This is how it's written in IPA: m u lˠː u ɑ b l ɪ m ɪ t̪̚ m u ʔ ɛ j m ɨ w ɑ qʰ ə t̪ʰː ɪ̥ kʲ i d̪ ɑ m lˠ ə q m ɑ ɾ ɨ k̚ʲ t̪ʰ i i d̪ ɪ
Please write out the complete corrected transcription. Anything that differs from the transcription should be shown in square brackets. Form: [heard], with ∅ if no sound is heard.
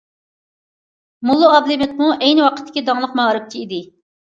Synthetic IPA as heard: m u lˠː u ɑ b l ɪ m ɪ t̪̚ m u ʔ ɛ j [n] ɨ w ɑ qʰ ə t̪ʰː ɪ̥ kʲ i d̪ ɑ [ŋ] lˠ ə q m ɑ ɾ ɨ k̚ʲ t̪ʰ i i d̪ ɪ